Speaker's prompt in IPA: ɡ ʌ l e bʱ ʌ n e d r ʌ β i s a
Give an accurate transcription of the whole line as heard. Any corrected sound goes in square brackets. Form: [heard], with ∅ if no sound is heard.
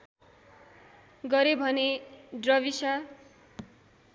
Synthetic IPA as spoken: ɡ ʌ [ɾ] e bʱ ʌ n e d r ʌ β i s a